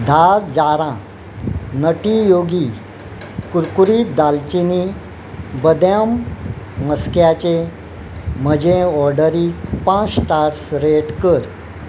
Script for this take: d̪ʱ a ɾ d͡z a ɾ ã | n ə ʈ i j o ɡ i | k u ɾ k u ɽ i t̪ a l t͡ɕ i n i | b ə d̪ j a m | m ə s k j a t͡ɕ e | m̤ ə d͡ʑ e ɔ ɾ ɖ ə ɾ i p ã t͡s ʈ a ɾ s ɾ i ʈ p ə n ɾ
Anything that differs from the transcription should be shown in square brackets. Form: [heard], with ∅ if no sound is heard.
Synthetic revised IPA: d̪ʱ a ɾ d͡z a ɾ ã | n ə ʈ i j o ɡ i | k u ɾ k u [ɾ] i [d̪] a l t͡ɕ i n i | b ə d̪ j a m | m ə s k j a t͡ɕ e | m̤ ə d͡ʑ e ɔ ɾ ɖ ə ɾ i p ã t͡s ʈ a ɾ s ɾ [e] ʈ [k] ə [∅] ɾ